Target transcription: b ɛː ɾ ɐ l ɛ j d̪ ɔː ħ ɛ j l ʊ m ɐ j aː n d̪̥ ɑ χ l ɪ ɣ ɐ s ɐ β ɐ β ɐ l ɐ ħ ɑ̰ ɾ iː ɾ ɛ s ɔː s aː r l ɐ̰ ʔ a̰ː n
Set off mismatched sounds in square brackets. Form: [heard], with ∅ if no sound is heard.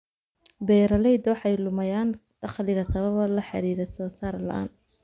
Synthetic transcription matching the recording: b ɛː ɾ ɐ l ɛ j d̪ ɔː ħ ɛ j l ʊ m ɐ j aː n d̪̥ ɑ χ l ɪ ɣ ɐ s ɐ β ɐ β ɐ l ɐ ħ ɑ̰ ɾ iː ɾ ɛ s ɔː s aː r l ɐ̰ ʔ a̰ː n

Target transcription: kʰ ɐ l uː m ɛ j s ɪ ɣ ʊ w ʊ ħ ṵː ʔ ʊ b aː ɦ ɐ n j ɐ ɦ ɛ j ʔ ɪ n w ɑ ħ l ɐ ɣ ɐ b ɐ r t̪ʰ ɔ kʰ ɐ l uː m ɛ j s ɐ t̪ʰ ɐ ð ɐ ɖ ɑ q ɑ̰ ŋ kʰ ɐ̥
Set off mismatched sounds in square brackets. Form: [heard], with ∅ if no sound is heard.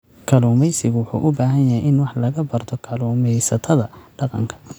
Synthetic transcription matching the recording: kʰ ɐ l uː m ɛ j s ɪ ɣ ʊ w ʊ ħ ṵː ʔ ʊ b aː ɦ ɐ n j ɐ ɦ ɛ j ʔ ɪ n w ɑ ħ l ɐ ɣ ɐ b ɐ r t̪ʰ ɔ kʰ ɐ l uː m ɛ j s ɐ t̪ʰ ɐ ð ɐ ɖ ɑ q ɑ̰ ŋ kʰ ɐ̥

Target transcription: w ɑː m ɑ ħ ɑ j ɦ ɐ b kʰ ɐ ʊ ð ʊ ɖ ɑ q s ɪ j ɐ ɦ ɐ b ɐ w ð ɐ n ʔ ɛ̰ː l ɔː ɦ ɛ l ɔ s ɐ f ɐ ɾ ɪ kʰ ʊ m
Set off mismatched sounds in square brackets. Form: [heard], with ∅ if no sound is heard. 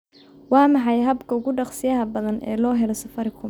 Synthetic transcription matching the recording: w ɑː m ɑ ħ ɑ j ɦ ɐ b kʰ ɐ ʊ [ɣ] ʊ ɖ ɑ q s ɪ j ɐ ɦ ɐ b ɐ [∅] ð ɐ n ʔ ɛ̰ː l ɔː ɦ ɛ l ɔ s ɐ f ɐ ɾ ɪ kʰ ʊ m

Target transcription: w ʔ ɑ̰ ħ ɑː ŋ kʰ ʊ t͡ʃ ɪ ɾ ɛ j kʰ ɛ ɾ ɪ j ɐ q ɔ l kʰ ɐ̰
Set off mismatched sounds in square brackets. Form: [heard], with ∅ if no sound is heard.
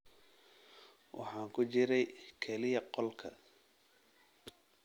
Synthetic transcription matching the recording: w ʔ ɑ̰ ħ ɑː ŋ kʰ ʊ t͡ʃ ɪ ɾ ɛ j kʰ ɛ [l] ɪ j ɐ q ɔ l kʰ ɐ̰

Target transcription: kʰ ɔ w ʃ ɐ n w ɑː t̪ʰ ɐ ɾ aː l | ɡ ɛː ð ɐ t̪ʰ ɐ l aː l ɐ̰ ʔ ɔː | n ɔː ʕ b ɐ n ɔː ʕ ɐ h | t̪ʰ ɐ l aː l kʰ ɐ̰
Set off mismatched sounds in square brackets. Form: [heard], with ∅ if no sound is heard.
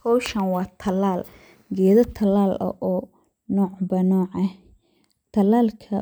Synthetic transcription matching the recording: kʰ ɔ w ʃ ɐ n w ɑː t̪ʰ ɐ [l] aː l | ɡ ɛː ð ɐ t̪ʰ ɐ l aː l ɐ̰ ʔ ɔː | n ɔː ʕ b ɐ n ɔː ʕ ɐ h | t̪ʰ ɐ l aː l kʰ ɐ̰

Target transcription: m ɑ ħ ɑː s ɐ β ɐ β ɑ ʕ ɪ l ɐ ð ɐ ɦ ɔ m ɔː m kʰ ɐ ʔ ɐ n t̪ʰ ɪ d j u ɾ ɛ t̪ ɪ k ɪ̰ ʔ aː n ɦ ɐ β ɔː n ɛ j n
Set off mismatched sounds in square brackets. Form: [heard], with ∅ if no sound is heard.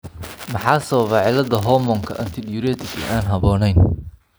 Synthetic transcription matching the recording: m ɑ ħ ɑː s ɐ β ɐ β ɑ ʕ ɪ l ɐ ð ɐ ɦ ɔ m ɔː [ŋ] kʰ ɐ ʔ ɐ n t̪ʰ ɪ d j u ɾ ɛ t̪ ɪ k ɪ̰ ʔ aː n ɦ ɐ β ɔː n ɛ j n

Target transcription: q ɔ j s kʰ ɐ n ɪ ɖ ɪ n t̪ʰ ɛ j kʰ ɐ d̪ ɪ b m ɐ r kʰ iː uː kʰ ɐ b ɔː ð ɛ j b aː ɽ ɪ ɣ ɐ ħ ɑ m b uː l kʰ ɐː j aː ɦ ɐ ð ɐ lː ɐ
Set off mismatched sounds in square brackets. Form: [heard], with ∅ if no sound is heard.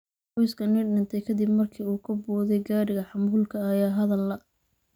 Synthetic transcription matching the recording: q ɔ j s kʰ ɐ n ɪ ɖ ɪ n t̪ʰ ɛ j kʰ ɐ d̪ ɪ b m ɐ r kʰ iː uː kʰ ɐ b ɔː ð ɛ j [ɡ] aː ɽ ɪ ɣ ɐ ħ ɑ m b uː l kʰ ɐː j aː ɦ ɐ ð ɐ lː ɐ

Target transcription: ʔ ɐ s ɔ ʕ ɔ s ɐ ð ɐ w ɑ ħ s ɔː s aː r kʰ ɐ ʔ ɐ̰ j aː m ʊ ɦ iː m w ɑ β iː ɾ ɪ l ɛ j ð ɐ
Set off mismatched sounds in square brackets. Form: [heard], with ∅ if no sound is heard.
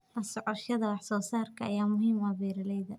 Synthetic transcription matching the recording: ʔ ɐ s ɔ ʕ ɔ [ʃ] ɐ ð ɐ w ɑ ħ s ɔː s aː r kʰ ɐ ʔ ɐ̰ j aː m ʊ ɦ iː m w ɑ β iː ɾ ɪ l ɛ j ð ɐ

